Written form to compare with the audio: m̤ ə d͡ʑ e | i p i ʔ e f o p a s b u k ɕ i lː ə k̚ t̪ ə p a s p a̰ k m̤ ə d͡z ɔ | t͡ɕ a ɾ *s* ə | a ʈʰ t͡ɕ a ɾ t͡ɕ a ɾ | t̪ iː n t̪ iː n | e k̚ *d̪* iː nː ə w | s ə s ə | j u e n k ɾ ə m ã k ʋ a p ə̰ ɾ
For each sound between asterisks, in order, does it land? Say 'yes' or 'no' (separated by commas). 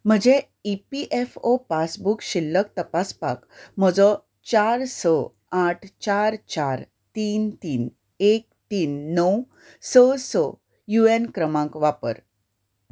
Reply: yes, no